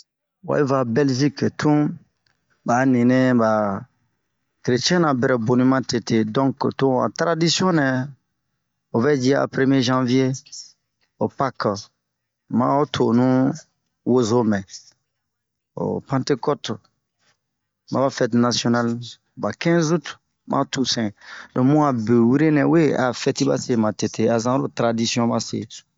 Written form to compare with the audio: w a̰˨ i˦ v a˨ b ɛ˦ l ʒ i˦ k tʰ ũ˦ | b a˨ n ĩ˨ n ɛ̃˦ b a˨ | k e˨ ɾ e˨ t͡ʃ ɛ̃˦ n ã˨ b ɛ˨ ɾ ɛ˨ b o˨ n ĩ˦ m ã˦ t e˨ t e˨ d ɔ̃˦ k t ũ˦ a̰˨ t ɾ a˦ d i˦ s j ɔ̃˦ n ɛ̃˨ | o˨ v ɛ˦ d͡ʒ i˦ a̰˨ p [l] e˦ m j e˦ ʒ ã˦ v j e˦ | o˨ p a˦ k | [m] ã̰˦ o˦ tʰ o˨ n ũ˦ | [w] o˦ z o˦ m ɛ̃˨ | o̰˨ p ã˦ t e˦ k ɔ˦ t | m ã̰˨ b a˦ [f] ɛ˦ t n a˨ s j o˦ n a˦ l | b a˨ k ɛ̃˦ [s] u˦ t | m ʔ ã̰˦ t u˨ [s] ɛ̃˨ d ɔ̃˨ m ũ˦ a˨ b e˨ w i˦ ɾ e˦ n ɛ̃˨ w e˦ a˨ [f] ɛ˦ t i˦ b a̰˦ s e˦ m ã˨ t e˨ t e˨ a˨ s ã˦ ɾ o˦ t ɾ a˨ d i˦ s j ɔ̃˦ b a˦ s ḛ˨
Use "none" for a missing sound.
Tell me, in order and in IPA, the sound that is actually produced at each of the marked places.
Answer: ɾ, m, w, f, z, s, f

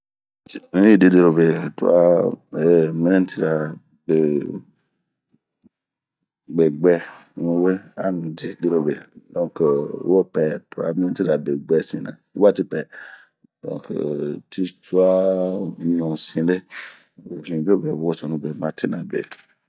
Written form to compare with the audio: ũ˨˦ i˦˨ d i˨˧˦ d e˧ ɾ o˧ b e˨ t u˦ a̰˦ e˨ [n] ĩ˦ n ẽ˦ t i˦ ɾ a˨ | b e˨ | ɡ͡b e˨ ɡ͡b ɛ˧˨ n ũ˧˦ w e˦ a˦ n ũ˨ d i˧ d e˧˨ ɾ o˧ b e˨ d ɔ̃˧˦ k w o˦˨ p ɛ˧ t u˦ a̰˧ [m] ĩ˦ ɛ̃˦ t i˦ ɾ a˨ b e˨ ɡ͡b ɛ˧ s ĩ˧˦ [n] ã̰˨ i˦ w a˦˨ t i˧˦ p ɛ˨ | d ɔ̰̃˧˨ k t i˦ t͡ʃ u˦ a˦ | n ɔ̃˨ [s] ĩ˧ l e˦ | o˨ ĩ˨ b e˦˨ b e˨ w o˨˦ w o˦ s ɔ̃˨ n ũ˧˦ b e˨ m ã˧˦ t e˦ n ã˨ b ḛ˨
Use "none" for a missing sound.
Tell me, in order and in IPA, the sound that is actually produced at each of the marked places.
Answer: m, m, n, s

